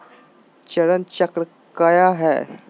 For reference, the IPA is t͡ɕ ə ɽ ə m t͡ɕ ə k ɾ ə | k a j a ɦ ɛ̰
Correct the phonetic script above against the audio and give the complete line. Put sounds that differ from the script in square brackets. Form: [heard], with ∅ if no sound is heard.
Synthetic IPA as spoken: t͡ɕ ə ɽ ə [n] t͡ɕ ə k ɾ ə | k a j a ɦ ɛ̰